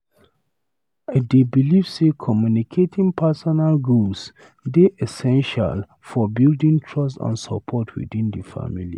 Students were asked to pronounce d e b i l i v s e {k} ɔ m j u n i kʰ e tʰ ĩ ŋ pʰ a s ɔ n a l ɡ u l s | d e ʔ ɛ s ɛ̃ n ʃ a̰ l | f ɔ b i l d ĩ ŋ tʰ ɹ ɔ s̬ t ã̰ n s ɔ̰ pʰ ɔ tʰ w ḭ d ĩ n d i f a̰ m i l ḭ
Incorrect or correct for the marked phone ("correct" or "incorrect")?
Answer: incorrect